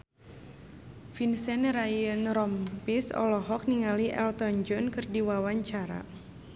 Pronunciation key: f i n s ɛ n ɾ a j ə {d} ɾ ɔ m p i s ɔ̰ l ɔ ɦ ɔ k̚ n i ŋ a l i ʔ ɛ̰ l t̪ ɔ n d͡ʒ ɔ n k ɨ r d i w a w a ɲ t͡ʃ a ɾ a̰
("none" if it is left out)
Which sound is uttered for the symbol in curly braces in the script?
n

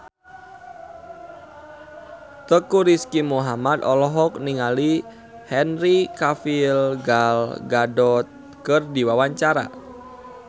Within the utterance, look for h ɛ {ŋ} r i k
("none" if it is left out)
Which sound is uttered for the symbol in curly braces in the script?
n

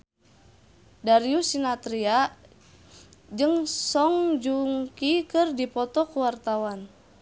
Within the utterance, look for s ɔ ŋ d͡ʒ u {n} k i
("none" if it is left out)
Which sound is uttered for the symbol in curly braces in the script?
ŋ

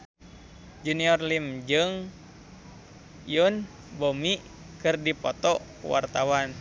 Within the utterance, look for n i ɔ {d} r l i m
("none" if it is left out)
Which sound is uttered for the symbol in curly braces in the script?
none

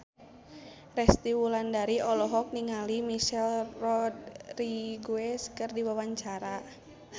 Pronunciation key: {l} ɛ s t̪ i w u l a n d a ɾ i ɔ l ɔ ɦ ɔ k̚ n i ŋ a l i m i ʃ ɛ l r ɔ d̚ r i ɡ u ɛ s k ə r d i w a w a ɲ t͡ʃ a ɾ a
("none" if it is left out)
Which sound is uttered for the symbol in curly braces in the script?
r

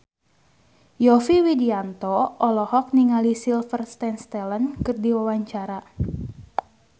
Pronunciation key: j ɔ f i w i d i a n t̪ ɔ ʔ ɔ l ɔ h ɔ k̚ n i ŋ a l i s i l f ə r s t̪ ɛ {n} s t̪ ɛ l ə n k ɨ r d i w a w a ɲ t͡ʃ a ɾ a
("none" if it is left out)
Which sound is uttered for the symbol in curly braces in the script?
n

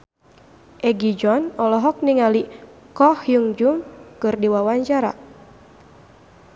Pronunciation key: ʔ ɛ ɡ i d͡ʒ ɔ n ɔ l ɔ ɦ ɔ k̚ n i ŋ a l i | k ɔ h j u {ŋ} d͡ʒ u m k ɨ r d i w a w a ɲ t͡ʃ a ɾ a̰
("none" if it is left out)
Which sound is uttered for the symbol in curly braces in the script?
ŋ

